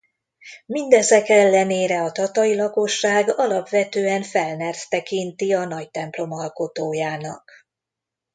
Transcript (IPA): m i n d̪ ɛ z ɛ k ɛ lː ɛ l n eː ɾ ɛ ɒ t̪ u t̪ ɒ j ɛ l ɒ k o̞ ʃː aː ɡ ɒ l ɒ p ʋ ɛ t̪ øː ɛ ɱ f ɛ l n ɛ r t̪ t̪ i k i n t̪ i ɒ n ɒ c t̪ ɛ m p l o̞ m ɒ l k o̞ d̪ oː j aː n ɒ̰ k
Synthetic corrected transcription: m i n d̪ ɛ z ɛ k ɛ lː ɛ n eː ɾ ɛ ɒ t̪ ɒ t̪ ɒ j i l ɒ k o̞ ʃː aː ɡ ɒ l ɒ p ʋ ɛ t̪ øː ɛ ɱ f ɛ l n ɛ r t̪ t̪ ɛ k i n t̪ i ɒ n ɒ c t̪ ɛ m p l o̞ m ɒ l k o̞ t̪ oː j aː n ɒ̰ k